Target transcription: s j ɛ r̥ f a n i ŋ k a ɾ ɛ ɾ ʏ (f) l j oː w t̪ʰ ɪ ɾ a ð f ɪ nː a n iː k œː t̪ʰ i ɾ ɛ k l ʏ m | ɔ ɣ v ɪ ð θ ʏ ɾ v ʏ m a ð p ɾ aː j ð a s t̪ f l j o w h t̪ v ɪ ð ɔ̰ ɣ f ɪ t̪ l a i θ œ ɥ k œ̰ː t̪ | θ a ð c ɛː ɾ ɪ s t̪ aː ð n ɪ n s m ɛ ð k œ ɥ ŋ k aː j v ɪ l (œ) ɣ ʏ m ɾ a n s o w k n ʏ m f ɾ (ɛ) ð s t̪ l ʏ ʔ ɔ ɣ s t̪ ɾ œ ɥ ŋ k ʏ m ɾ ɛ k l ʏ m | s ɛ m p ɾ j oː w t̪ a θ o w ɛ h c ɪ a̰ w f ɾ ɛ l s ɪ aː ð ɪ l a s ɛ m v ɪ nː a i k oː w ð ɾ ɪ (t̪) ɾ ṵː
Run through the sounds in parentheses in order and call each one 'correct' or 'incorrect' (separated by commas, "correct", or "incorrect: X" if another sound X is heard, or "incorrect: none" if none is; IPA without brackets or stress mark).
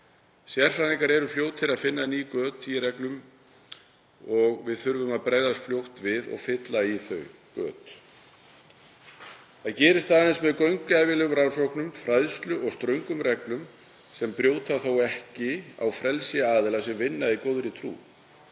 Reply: correct, incorrect: ɛ, incorrect: a, incorrect: t̪ʰ